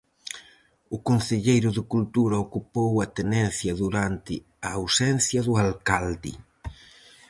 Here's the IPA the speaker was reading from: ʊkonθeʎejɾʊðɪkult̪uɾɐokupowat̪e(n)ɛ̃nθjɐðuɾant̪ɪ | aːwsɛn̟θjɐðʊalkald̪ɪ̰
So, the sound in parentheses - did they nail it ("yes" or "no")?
yes